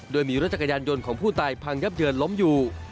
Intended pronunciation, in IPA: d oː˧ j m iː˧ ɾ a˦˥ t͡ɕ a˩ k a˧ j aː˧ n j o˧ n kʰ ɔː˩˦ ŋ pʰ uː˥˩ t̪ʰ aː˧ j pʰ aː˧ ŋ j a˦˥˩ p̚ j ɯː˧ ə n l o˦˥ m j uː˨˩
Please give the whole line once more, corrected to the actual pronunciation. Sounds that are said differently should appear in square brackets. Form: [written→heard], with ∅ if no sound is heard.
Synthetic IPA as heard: d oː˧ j m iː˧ ɾ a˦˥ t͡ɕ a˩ k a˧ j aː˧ n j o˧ n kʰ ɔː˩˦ ŋ pʰ uː˥˩ [t̪ʰ→t̪] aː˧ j pʰ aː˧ ŋ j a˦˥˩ p̚ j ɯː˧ ə n l o˦˥ m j uː˨˩